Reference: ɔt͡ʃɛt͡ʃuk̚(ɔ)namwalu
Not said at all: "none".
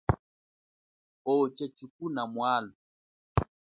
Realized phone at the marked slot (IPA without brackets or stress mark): u